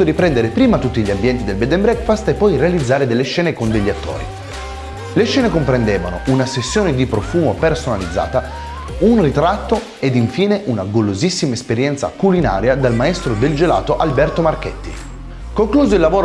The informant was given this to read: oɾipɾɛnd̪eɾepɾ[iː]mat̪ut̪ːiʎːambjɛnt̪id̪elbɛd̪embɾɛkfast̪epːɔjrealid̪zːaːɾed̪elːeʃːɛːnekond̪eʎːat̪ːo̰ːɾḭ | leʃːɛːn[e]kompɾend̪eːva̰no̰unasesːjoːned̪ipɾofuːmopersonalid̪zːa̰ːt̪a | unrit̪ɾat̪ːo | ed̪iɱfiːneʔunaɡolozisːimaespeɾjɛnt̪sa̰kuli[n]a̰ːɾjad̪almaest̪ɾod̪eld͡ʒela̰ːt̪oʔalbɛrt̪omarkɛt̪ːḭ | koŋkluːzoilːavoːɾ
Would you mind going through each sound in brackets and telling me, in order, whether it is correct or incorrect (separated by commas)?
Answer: correct, correct, correct